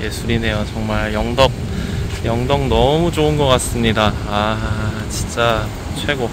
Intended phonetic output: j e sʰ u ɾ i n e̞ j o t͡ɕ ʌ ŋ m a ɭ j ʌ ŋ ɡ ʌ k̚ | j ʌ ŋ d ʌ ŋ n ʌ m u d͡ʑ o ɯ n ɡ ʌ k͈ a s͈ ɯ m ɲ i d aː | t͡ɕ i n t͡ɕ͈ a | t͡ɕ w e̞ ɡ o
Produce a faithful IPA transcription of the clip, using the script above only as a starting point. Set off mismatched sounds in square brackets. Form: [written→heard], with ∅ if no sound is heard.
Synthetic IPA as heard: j e sʰ u ɾ i n e̞ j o t͡ɕ ʌ ŋ m a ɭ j ʌ ŋ [ɡ→d] ʌ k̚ | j ʌ ŋ d ʌ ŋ n ʌ m u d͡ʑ o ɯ n ɡ ʌ k͈ a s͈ ɯ m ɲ i d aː | t͡ɕ i n t͡ɕ͈ a | [t͡ɕ→t͡ɕʰ] w e̞ ɡ o